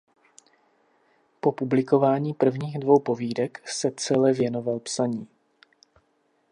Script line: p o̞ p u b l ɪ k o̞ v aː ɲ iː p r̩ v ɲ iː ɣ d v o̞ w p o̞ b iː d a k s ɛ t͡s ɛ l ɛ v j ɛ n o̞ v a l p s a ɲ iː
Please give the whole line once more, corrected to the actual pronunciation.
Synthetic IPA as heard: p o̞ p u b l ɪ k o̞ v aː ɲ iː p r̩ v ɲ iː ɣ d v o̞ w p o̞ v iː d ɛ k s ɛ t͡s ɛ l ɛ v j ɛ n o̞ v a l p s a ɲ iː